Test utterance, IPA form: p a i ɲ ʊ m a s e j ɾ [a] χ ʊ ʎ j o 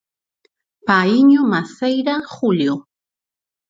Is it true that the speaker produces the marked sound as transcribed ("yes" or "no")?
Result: yes